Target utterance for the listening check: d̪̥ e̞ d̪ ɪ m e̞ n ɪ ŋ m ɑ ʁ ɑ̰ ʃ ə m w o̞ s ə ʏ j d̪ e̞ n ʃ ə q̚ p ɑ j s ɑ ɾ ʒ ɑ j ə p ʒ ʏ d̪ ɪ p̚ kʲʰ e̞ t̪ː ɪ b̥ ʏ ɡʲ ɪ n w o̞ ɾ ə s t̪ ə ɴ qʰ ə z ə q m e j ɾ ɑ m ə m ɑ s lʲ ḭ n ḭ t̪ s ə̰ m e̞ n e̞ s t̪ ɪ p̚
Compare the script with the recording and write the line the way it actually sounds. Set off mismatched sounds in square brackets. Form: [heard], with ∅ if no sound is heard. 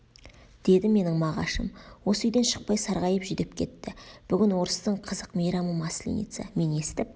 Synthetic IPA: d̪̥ e̞ d̪ ɪ m e̞ n ɪ ŋ m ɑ ʁ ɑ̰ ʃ ə m w o̞ s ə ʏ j d̪ e̞ n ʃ ə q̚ p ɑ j s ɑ ɾ [ʁ] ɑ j ə p ʒ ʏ d̪ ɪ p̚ kʲʰ e̞ t̪ː ɪ b̥ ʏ ɡʲ ɪ n w o̞ ɾ ə s t̪ ə ɴ qʰ ə z ə q m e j ɾ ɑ m ə m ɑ s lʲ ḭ n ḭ t̪ s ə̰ m e̞ n e̞ s t̪ ɪ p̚